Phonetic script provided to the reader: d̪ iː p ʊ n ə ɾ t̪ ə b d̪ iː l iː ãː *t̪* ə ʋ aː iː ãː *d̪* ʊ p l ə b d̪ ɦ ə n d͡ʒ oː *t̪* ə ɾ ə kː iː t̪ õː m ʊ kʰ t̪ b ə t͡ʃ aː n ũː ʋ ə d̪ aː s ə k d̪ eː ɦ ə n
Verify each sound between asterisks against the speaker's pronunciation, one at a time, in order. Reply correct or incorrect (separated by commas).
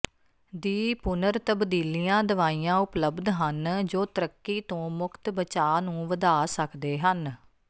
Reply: incorrect, incorrect, correct